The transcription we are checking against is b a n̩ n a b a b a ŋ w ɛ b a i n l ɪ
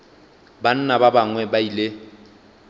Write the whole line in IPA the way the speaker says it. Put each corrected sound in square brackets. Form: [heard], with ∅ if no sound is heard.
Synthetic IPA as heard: b a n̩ n a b a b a ŋ w ɛ b a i [∅] l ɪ